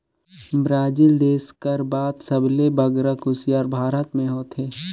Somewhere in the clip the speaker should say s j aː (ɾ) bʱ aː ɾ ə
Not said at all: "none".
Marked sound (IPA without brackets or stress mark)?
ɾ